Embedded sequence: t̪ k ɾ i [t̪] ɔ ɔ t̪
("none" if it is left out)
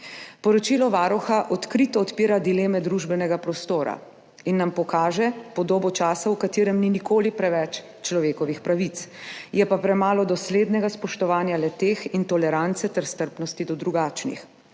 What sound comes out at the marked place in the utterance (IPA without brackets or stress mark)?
t̪